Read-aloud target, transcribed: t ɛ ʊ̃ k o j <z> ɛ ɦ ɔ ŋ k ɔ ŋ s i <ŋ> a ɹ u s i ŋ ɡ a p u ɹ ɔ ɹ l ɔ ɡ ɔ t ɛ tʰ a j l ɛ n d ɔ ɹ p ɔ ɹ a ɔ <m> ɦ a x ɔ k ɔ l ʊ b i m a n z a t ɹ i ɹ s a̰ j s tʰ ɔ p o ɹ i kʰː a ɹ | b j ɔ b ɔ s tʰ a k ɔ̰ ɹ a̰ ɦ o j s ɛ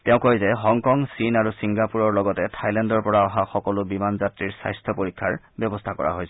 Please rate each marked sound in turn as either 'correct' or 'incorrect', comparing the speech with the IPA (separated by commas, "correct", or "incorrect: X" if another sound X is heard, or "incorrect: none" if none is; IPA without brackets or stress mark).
correct, incorrect: n, incorrect: none